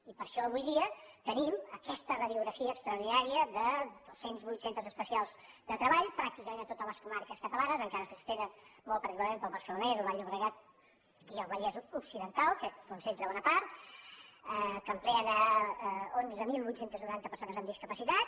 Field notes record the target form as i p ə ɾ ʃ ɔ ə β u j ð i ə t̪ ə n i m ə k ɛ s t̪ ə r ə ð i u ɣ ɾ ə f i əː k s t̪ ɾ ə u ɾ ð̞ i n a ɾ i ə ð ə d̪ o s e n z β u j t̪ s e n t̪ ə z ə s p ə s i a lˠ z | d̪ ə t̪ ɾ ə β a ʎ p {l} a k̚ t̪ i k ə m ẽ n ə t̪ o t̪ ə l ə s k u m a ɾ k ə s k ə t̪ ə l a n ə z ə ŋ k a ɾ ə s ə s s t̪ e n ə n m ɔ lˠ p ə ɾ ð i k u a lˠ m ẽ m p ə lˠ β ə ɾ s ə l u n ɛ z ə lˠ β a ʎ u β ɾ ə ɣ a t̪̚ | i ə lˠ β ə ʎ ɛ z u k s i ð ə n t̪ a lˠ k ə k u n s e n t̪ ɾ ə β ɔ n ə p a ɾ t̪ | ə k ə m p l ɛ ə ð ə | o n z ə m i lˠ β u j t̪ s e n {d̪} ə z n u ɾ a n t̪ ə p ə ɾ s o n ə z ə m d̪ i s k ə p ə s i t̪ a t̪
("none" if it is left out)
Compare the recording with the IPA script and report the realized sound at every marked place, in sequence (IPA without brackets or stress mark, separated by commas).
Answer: ɾ, t̪